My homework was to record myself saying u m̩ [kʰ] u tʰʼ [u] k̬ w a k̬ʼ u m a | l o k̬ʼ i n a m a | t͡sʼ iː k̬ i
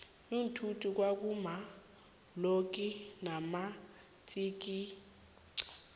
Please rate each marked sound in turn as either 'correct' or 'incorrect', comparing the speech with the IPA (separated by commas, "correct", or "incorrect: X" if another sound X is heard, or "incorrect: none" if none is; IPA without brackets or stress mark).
incorrect: tʰ, correct